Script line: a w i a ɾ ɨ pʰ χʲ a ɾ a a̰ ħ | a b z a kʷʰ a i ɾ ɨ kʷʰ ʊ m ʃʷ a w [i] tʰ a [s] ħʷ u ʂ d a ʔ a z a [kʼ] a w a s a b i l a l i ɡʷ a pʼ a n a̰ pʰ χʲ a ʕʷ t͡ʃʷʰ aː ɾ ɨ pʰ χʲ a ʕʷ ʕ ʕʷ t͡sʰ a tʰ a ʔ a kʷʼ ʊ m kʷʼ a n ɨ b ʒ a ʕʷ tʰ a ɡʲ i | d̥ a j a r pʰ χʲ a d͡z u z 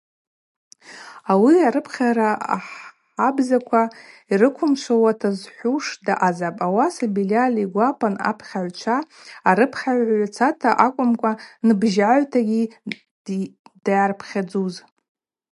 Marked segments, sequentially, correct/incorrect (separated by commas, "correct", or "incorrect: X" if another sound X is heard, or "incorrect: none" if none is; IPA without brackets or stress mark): incorrect: a, incorrect: z, incorrect: pʼ